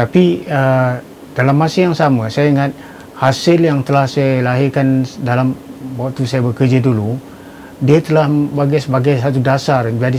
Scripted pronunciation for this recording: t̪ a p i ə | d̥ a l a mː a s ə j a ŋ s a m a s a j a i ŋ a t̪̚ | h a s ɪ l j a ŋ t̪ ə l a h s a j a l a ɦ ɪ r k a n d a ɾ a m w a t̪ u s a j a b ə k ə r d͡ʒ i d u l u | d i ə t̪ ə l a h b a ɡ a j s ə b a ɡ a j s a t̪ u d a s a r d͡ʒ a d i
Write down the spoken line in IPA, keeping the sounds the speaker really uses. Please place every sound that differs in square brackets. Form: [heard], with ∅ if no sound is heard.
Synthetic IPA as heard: t̪ a p i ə | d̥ a l a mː a s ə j a ŋ s a m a s a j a i ŋ a t̪̚ | h a s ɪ l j a ŋ t̪ ə l a h s a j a l a ɦ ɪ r k a n d a [l] a m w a t̪ u s a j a b ə k ə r d͡ʒ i d u l u | d i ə t̪ ə l a h b a ɡ a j s ə b a ɡ a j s a t̪ u d a s a r d͡ʒ a d i